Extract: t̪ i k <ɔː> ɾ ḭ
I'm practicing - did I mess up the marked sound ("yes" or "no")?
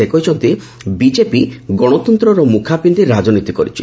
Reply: yes